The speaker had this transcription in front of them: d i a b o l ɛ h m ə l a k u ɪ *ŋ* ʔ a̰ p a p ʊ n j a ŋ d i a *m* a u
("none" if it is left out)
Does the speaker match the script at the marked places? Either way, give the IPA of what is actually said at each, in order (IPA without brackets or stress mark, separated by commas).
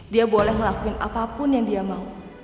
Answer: n, m